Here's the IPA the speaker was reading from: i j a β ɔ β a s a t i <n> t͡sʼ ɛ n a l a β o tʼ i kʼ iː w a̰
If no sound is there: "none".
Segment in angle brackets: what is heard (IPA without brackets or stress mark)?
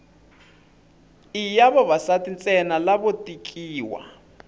n